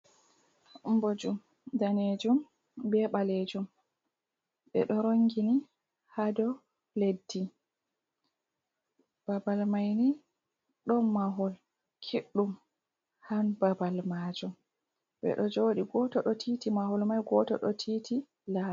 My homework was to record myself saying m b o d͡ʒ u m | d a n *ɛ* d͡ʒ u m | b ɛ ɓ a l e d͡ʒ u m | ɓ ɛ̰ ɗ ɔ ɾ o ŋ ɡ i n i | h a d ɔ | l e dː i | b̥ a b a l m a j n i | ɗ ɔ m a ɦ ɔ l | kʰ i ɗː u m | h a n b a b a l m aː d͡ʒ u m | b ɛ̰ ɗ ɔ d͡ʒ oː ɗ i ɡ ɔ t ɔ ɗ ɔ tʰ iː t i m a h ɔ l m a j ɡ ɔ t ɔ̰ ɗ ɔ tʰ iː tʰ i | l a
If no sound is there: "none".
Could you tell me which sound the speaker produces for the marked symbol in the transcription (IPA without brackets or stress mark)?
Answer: e